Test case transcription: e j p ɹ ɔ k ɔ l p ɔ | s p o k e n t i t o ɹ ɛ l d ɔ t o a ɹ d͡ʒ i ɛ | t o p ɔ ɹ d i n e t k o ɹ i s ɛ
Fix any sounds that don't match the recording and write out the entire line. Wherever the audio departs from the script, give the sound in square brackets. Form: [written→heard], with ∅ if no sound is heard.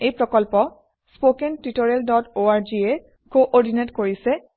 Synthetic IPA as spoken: e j p ɹ ɔ k ɔ l p ɔ | s p o k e n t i t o ɹ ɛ l d ɔ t o a ɹ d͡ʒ i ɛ | [t→k] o [p→ʔ] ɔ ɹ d i n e t k o ɹ i s ɛ